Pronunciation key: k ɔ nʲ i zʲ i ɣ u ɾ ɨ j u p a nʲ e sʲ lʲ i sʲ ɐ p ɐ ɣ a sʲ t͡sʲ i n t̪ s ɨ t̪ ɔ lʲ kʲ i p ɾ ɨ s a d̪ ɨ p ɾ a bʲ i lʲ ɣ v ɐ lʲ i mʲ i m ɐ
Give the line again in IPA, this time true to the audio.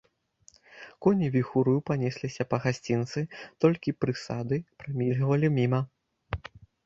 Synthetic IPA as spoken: k ɔ nʲ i vʲ i x u ɾ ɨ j u p a nʲ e sʲ lʲ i sʲ ɐ p ɐ ɣ a sʲ t͡sʲ i n t̪ s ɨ t̪ ɔ lʲ kʲ i p ɾ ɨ s a d̪ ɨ p ɾ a mʲ i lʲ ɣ v ɐ lʲ i mʲ i m ɐ

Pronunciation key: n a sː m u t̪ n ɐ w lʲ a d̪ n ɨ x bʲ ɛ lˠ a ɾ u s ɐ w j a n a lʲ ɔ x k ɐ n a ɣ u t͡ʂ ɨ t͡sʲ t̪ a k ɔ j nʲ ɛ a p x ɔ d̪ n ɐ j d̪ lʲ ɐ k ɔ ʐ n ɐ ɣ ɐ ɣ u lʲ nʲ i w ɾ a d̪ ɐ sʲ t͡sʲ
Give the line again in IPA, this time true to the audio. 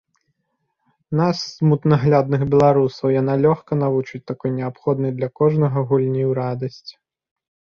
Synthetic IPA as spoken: n a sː m u t̪ n ɐ ɣ lʲ a d̪ n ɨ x bʲ ɛ lˠ a ɾ u s ɐ w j a n a lʲ ɔ x k ɐ n a v u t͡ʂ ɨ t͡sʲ t̪ a k ɔ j nʲ ɛ a p x ɔ d̪ n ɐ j d̪ lʲ ɐ k ɔ ʐ n ɐ ɣ ɐ ɣ u lʲ nʲ i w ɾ a d̪ ɐ sʲ t͡sʲ

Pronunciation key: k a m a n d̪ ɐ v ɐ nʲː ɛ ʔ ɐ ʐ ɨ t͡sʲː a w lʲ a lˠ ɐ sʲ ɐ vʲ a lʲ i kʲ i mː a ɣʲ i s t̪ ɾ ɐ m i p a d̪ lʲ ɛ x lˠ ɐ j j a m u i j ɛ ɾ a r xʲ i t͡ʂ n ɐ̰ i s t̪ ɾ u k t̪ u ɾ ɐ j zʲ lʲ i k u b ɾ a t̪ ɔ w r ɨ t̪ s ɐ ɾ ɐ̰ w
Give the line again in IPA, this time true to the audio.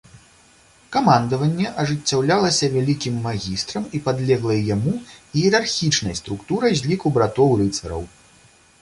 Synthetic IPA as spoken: k a m a n d̪ ɐ v ɐ nʲː ɛ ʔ ɐ ʐ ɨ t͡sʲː a w lʲ a lˠ ɐ sʲ ɐ vʲ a lʲ i kʲ i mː a ɣʲ i s t̪ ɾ ɐ m i p a d̪ lʲ ɛ ɣ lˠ ɐ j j a m u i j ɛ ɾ a r xʲ i t͡ʂ n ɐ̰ j s t̪ ɾ u k t̪ u ɾ ɐ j zʲ lʲ i k u b ɾ a t̪ ɔ w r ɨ t̪ s ɐ ɾ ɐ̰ w

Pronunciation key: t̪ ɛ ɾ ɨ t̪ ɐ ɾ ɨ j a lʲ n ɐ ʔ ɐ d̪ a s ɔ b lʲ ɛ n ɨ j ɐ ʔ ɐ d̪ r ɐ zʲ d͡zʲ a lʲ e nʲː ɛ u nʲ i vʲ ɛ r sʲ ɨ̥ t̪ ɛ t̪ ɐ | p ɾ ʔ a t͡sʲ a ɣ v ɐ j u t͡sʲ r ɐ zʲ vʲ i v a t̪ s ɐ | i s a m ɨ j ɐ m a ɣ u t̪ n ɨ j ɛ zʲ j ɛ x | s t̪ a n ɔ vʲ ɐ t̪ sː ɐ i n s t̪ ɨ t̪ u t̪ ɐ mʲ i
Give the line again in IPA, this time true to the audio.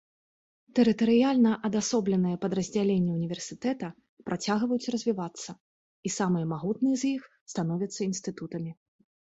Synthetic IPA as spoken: t̪ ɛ ɾ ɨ t̪ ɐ ɾ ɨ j a lʲ n ɐ ʔ ɐ d̪ a s ɔ b lʲ ɛ n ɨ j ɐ p ɐ d̪ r ɐ zʲ d͡zʲ a lʲ e nʲː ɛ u nʲ i vʲ ɛ r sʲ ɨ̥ t̪ ɛ t̪ ɐ | p ɾ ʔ a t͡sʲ a ɣ v ɐ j u t͡sʲ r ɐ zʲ vʲ i v a t̪ sː ɐ | i s a m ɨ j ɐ m a ɣ u t̪ n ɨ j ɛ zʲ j i x | s t̪ a n ɔ vʲ ɐ t̪ sː ɐ i n s t̪ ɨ t̪ u t̪ ɐ mʲ i

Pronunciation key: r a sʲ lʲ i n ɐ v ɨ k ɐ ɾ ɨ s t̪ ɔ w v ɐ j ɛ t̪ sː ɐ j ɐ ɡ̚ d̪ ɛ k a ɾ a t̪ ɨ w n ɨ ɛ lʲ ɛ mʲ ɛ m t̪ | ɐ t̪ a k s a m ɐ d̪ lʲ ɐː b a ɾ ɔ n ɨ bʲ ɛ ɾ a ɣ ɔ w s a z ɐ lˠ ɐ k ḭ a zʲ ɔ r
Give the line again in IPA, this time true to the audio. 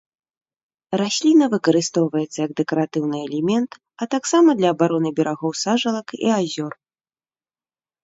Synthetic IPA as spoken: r a sʲ lʲ i n ɐ v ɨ k ɐ ɾ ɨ s t̪ ɔ w v ɐ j ɛ t̪ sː ɐ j ɐ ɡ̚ d̪ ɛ k ɐ ɾ a t̪ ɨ w n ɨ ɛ lʲ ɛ mʲ ɛ n t̪ | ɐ t̪ a k s a m ɐ d̪ lʲ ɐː b a ɾ ɔ n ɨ bʲ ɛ ɾ a ɣ ɔ w s a ʐ ɐ lˠ ɐ k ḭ a zʲ ɔ r

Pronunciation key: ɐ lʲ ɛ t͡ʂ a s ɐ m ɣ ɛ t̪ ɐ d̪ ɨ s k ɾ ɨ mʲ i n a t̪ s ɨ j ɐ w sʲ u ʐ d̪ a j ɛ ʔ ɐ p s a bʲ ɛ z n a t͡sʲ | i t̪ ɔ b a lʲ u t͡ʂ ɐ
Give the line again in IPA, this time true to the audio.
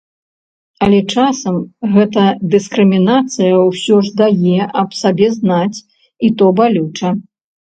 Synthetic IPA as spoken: ɐ lʲ ɛ t͡ʂ a s ɐ m ɣ ɛ t̪ ɐ d̪ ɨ s k ɾ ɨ mʲ i n a t̪ s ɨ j ɐ w sʲ ɔ ʐ d̪ a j ɛ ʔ ɐ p s a bʲ ɛ z n a t͡sʲ | i t̪ ɔ b a lʲ u t͡ʂ ɐ

